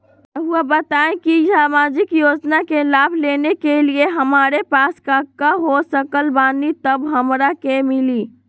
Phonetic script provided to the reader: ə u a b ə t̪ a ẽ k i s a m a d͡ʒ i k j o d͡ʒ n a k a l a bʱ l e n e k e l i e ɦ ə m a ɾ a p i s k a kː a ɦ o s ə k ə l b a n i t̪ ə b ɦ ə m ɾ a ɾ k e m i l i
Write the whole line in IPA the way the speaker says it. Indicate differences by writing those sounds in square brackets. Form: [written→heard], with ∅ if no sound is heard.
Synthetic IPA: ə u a b ə t̪ a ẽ k i s a m a d͡ʒ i k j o d͡ʒ n a k [a→e] l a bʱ l e n e k e l i e ɦ ə m a ɾ [a→e] p [i→a] s k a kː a ɦ o s ə k ə l b a n i t̪ ə b ɦ ə m ɾ a [ɾ→∅] k e m i l i

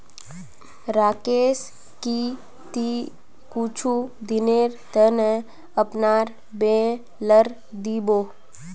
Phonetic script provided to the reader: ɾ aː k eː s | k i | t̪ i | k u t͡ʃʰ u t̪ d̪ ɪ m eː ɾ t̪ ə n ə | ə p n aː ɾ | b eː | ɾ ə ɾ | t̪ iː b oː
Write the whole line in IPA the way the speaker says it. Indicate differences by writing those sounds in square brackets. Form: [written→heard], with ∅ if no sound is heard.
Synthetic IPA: ɾ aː k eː s | k i | t̪ i | k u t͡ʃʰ u [t̪→∅] d̪ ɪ [m→n] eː ɾ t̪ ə n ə | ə p n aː ɾ | b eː | [ɾ→l] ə ɾ | [t̪→d̪] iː b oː

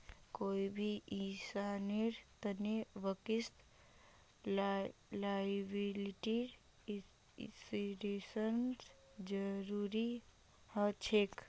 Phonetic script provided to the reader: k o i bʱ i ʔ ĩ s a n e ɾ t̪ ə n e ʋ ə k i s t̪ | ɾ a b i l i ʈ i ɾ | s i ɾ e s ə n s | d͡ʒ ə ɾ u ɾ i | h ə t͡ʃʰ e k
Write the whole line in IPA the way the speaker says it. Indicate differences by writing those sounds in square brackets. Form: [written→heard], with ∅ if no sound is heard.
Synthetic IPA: k o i bʱ i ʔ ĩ s a n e ɾ t̪ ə n e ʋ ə k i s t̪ | [ɾ→l] a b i l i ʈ i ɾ | s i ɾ e s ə n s | d͡ʒ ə ɾ u ɾ i | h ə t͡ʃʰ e k

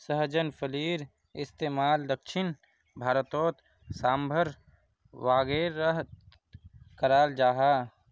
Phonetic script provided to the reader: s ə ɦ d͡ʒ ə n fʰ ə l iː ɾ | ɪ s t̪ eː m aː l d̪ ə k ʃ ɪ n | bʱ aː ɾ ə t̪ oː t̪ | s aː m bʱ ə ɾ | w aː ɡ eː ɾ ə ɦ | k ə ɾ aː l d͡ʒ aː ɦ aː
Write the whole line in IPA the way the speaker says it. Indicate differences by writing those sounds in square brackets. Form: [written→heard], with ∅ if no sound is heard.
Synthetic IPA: s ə ɦ d͡ʒ ə n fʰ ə l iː ɾ | ɪ s t̪ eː m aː l d̪ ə k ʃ ɪ n | bʱ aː ɾ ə t̪ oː t̪ | s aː m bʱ ə ɾ | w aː ɡ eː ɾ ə ɦ | k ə ɾ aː l d͡ʒ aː ɦ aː

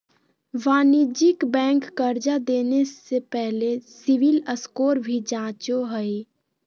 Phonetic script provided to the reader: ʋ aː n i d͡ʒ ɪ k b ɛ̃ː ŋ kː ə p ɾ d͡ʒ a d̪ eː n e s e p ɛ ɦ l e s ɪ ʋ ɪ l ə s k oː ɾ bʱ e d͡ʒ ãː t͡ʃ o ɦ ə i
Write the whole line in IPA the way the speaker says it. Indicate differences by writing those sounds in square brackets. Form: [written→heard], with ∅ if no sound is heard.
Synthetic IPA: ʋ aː n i d͡ʒ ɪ k b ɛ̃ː ŋ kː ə [p→∅] ɾ d͡ʒ a d̪ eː n e s e p ɛ ɦ l e s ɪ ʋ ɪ l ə s k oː ɾ bʱ [e→i] d͡ʒ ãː t͡ʃ o ɦ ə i

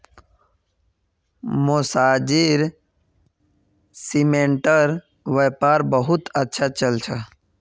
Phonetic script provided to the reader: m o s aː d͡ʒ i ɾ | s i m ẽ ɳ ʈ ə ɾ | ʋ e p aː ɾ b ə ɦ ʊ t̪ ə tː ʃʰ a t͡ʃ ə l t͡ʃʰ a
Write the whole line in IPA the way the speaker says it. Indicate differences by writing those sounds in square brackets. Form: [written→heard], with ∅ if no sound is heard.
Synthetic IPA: m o s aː d͡ʒ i ɾ | s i m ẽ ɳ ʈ ə ɾ | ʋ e p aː ɾ b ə ɦ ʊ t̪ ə tː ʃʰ a t͡ʃ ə l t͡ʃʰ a

